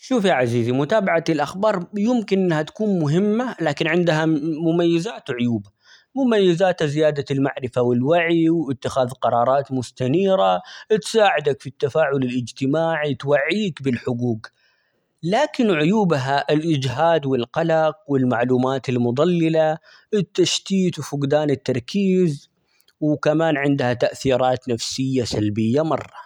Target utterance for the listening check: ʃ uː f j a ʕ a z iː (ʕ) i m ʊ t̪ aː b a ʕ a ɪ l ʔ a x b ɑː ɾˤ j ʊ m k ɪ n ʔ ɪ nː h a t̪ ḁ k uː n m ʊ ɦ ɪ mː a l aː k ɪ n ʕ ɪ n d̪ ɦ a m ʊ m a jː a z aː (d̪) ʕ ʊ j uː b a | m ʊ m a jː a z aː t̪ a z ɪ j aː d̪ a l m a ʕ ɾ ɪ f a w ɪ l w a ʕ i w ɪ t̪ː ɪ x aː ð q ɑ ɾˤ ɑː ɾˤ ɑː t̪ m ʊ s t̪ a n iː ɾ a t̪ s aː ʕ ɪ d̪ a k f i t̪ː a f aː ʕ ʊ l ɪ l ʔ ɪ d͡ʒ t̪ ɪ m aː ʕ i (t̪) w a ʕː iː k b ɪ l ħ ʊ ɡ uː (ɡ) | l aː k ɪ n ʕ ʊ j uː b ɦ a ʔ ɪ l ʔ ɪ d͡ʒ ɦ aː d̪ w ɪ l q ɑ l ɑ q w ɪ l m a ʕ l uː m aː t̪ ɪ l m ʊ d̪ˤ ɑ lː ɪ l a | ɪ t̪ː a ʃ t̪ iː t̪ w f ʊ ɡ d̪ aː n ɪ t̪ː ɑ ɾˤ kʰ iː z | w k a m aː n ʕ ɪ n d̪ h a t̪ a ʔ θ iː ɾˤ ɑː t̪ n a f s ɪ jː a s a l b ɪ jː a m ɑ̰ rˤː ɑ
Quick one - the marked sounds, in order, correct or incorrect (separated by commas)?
incorrect, incorrect, correct, correct